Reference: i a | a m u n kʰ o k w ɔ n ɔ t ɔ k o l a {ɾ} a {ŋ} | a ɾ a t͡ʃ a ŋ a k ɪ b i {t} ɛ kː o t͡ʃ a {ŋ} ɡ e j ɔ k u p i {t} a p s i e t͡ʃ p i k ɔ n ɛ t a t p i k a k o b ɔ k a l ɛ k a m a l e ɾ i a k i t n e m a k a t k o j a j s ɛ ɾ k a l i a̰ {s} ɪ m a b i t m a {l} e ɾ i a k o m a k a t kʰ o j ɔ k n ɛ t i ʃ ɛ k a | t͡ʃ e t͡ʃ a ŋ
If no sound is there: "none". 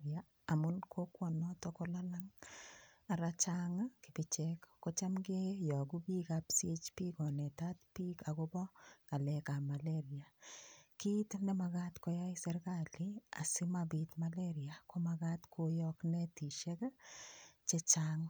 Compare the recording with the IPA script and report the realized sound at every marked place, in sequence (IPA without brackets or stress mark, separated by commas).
l, ŋ, t͡ʃ, m, k, s, l